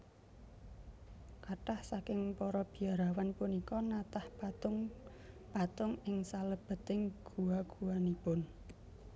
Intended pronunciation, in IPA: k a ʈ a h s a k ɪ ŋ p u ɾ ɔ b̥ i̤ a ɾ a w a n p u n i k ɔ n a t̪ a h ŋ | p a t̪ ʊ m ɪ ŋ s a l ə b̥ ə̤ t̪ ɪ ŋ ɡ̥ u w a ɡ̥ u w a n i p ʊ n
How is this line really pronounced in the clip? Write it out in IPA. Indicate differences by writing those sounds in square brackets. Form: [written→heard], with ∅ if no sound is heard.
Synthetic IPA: k a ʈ a h s a k ɪ ŋ p [u→ɔ] ɾ ɔ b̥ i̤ a ɾ a w a n p u n i k ɔ n a t̪ a h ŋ | p a t̪ ʊ [m→ŋ] ɪ ŋ s a l ə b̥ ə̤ t̪ ɪ ŋ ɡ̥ u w a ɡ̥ u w a n i p ʊ n